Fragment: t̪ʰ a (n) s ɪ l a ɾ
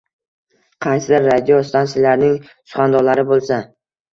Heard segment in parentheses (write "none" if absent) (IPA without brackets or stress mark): n